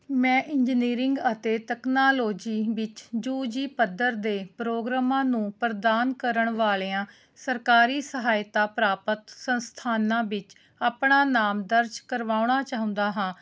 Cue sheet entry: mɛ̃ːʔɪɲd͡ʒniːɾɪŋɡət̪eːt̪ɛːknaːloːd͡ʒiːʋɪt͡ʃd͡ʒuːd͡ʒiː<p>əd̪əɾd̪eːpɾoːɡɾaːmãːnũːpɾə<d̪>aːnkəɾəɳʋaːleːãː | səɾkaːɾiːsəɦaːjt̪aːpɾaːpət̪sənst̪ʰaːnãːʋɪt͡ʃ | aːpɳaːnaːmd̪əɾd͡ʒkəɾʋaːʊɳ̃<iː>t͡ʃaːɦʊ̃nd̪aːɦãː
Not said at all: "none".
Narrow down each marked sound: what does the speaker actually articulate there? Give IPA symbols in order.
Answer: p, d̪, aː

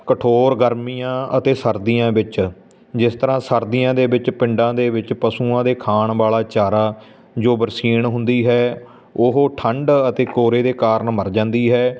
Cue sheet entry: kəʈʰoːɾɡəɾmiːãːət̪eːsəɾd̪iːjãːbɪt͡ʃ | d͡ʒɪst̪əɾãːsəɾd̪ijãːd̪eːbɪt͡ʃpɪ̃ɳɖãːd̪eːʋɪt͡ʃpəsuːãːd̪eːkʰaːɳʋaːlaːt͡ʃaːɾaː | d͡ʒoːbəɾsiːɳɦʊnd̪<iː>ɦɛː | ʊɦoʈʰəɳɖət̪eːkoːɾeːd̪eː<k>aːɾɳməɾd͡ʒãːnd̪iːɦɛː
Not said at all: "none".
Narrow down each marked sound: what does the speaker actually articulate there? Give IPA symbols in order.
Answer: iː, k

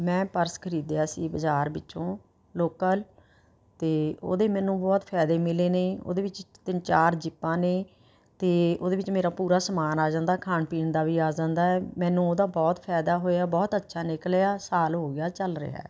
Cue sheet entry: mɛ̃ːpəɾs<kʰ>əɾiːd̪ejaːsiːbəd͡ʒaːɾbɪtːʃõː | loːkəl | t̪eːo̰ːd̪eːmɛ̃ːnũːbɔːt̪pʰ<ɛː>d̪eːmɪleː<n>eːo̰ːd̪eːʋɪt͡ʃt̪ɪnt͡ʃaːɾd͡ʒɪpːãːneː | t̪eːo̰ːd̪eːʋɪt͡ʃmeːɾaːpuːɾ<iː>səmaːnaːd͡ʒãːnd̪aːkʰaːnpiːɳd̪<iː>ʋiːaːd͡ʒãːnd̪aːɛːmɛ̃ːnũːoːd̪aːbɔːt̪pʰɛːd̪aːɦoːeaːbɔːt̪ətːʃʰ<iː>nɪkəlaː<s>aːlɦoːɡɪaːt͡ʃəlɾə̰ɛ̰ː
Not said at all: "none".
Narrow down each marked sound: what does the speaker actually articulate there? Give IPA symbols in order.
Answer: kʰ, ɛː, n, aː, aː, aː, s

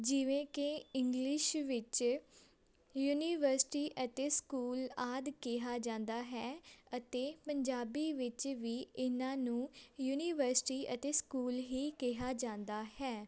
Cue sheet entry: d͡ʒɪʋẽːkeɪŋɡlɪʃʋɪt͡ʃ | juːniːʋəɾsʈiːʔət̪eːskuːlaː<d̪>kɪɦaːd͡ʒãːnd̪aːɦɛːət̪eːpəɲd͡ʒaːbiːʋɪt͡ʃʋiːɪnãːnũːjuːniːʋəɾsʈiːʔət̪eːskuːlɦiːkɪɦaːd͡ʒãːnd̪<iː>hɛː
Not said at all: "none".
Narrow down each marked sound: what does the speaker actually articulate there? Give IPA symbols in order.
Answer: d̪, aː

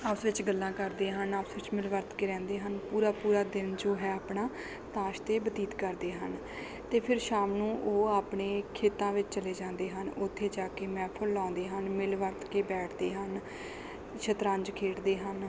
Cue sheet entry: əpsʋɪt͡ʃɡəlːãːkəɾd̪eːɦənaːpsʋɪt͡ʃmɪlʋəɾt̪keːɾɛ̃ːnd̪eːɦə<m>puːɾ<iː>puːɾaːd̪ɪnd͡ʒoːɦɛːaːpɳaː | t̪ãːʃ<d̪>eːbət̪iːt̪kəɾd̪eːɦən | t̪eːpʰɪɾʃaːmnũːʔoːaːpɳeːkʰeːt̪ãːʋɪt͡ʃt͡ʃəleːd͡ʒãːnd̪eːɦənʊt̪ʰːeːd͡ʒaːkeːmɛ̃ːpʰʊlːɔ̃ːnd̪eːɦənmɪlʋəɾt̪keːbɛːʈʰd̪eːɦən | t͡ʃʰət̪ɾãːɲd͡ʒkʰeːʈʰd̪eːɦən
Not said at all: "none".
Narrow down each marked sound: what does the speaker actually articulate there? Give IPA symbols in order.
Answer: n, aː, t̪

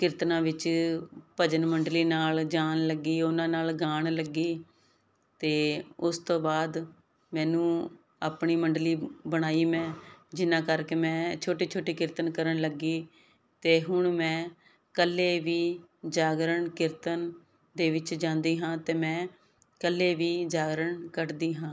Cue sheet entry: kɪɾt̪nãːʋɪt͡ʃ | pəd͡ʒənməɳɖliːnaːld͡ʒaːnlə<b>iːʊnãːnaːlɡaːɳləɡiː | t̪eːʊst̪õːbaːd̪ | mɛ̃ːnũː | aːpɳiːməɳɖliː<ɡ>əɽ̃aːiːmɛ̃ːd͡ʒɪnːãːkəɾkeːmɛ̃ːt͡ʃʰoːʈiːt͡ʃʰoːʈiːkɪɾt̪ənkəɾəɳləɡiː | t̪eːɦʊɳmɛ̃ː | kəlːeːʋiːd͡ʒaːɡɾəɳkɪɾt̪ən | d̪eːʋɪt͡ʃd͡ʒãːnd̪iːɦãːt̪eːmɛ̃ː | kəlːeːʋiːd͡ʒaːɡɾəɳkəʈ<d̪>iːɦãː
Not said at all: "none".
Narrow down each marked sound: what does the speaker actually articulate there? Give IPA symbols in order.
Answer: ɡ, b, d̪

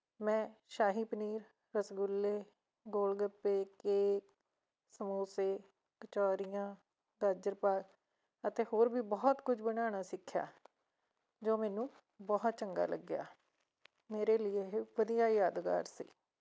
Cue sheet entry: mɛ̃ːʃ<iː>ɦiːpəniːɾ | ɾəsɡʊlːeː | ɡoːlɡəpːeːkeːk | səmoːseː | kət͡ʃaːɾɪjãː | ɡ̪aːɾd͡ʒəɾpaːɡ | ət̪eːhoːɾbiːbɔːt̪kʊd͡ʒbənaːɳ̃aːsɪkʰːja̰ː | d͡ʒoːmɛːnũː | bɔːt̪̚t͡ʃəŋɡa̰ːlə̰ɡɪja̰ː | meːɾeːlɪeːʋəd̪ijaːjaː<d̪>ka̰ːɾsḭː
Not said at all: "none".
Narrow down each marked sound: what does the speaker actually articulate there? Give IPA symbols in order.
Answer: aː, d̪

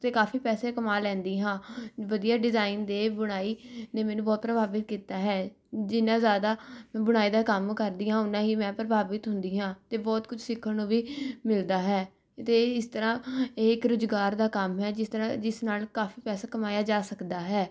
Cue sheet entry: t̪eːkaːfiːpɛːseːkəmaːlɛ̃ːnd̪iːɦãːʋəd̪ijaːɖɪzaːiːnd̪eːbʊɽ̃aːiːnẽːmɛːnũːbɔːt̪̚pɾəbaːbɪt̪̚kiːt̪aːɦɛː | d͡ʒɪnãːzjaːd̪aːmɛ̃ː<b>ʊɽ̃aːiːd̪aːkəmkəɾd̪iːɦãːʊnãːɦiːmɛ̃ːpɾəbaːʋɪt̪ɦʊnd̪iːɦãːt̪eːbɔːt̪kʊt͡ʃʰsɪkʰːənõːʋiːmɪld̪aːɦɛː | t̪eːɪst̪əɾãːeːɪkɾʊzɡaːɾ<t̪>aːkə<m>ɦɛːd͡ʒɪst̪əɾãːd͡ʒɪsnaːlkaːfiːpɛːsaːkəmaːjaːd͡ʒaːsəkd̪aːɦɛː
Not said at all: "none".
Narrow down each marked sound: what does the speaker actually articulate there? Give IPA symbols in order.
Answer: b, d̪, m

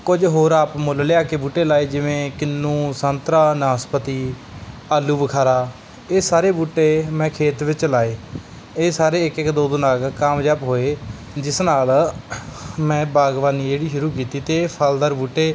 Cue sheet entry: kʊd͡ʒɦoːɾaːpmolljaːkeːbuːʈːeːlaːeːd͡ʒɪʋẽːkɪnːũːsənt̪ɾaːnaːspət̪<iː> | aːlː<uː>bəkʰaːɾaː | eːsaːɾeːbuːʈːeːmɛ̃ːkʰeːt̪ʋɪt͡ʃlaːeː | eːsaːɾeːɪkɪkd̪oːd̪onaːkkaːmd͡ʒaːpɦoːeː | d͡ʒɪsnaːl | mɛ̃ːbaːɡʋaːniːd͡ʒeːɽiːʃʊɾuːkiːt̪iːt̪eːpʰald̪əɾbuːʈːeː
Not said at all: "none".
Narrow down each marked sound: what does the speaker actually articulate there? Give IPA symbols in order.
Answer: iː, uː

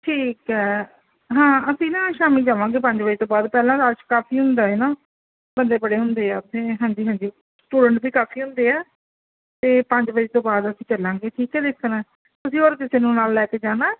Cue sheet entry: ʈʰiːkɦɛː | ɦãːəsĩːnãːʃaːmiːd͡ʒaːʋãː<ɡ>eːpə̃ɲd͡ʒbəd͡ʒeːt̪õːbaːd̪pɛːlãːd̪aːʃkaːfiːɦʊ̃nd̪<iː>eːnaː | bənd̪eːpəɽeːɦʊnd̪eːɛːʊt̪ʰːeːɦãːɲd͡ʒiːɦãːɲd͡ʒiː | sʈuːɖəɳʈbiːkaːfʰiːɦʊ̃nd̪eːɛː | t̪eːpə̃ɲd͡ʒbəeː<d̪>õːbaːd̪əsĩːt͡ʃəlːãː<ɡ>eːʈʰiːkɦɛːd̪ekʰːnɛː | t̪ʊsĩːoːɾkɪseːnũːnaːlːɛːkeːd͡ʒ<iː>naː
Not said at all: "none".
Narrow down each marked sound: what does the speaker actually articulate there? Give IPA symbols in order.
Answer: ɡ, aː, t̪, ɡ, aː

